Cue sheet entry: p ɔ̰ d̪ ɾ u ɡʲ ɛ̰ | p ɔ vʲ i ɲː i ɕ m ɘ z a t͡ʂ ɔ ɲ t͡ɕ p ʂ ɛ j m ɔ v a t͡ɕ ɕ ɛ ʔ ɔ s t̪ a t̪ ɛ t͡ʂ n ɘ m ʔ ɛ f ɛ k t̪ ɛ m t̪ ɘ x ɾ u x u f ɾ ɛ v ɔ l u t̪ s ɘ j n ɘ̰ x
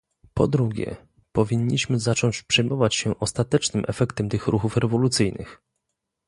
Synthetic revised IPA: p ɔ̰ d̪ ɾ u ɡʲ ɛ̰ | p ɔ vʲ i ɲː i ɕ m ɘ z a t͡ʂ ɔ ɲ t͡ɕ p ʂ ɛ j m ɔ v a t͡ɕ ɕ ɛ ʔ ɔ s t̪ a t̪ ɛ t͡ʂ n ɘ m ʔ ɛ f ɛ k t̪ ɛ m t̪ ɘ x ɾ u x u f ɾ ɛ v ɔ l u t̪ s ɘ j n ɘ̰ x